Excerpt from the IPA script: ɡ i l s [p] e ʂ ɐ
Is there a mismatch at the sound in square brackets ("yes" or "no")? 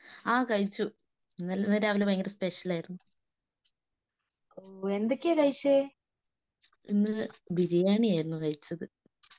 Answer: no